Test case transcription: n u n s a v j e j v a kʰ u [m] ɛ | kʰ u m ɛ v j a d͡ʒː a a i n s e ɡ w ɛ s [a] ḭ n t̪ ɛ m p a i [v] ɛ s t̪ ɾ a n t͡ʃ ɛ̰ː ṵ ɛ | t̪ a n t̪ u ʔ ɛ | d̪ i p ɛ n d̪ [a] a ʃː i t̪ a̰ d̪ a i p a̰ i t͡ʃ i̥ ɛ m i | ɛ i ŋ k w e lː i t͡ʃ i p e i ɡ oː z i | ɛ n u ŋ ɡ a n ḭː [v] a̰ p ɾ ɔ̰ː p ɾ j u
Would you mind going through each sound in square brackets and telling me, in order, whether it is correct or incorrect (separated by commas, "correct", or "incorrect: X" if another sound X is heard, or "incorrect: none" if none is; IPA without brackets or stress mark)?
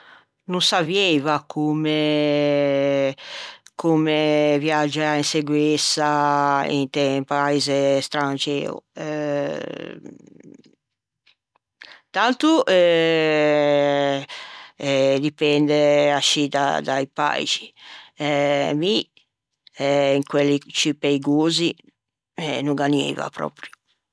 correct, correct, incorrect: z, incorrect: ɛ, correct